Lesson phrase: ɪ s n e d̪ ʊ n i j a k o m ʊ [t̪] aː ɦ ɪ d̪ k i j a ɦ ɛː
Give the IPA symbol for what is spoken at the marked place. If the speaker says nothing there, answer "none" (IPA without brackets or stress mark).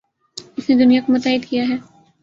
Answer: t̪